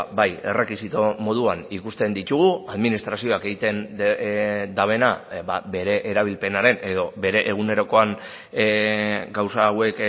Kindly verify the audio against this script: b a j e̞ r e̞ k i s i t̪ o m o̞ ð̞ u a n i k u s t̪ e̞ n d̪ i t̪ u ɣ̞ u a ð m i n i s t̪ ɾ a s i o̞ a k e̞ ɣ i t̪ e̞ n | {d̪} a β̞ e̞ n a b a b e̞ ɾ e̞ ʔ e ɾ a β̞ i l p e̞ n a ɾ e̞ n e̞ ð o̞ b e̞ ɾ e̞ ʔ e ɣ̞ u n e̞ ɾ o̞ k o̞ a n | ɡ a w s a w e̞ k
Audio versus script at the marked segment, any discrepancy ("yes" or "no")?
no